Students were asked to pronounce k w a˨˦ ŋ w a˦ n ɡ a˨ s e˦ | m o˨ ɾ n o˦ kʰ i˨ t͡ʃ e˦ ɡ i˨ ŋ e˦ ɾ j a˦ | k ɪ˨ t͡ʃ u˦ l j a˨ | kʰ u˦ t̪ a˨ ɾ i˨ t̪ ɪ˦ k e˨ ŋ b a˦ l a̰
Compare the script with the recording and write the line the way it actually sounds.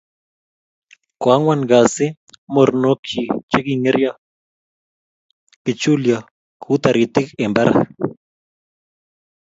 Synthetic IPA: k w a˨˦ ŋ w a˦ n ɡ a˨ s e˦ | m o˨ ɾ n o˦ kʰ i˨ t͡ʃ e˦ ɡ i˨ ŋ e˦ ɾ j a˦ | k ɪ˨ t͡ʃ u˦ l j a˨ | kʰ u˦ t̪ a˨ ɾ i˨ t̪ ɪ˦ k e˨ m b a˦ ɾ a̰

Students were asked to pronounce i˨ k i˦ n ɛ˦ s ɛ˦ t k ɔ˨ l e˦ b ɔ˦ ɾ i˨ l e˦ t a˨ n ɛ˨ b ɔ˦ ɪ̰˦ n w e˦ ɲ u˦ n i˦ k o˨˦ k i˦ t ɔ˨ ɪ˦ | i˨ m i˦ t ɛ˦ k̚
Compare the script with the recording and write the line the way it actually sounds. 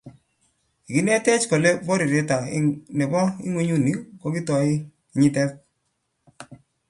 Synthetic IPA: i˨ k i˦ n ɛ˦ t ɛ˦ t͡ʃ k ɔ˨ l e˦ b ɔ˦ ɾ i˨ ɾ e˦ t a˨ n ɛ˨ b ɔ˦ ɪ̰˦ ŋ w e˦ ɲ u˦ n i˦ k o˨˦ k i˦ t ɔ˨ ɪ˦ | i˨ ɲ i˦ t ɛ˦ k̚

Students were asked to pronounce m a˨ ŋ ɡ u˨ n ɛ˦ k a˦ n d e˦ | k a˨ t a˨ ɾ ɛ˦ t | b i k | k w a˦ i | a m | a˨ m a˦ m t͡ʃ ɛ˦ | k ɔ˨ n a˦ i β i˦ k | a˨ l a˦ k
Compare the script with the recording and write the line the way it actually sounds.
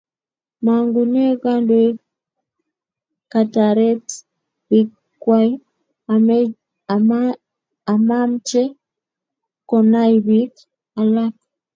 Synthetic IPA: m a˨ ŋ ɡ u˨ n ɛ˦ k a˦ n d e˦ | k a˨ t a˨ ɾ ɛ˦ t | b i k | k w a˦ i | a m | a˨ m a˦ m t͡ʃ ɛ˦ | k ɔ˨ n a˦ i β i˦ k | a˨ l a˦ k

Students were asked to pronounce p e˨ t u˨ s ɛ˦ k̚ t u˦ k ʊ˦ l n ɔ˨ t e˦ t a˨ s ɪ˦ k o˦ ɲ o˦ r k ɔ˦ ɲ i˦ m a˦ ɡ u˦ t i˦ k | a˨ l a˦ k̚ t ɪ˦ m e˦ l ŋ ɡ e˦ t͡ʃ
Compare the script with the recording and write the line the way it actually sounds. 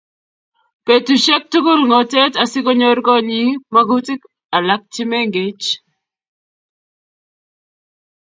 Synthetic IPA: p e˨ t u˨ ʃ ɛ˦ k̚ t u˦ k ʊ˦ l ŋ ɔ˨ t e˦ t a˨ s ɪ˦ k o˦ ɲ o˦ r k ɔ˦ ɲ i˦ m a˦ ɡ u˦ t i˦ k | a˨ l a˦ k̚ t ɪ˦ m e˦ ŋ ɡ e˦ t͡ʃ

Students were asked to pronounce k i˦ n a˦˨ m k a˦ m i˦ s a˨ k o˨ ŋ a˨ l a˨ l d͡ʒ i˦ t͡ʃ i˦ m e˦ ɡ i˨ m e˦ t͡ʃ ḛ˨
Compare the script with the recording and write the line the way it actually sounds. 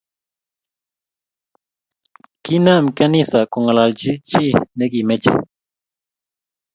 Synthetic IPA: k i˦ n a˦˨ m k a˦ n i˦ s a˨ k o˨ ŋ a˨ l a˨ l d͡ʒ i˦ t͡ʃ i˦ n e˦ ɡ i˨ m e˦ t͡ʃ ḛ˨

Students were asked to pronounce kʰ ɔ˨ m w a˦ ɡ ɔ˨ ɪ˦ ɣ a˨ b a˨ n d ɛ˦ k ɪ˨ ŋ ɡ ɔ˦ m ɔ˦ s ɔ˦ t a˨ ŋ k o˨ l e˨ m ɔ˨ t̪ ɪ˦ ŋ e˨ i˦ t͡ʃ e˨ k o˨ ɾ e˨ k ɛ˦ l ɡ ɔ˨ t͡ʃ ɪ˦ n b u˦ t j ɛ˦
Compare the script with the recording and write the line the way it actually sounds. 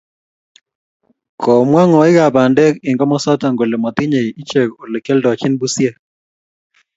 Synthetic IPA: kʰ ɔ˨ m w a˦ ŋ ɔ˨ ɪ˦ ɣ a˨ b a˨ n d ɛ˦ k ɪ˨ ŋ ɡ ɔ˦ m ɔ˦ s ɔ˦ t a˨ ŋ ɡ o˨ l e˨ m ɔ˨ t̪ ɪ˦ ɲ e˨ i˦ t͡ʃ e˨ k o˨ l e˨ k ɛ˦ l d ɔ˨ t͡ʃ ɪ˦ n b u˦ s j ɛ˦

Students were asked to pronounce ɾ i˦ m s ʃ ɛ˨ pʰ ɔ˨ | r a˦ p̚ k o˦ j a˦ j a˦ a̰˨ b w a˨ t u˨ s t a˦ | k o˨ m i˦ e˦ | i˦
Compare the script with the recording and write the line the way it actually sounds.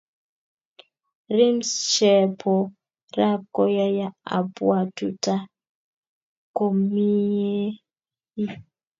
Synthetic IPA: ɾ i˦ m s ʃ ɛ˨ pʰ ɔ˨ | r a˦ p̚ k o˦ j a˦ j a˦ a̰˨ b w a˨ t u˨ t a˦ | k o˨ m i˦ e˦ | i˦

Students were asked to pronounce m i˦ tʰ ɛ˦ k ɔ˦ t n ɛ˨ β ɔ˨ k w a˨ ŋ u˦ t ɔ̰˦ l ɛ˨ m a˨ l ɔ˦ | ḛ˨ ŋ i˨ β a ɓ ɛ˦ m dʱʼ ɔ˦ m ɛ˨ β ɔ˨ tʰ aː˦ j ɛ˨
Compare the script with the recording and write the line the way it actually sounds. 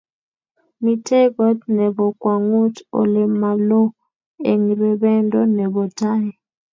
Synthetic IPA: m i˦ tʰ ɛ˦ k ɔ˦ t n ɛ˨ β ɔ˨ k w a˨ ŋ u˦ t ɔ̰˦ l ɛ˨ m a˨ l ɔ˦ | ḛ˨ ŋ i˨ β ɛ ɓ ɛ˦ n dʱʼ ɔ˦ n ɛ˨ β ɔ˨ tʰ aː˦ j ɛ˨

